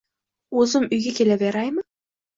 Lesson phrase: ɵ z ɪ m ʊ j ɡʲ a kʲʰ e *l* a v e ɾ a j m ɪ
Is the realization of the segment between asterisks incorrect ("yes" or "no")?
no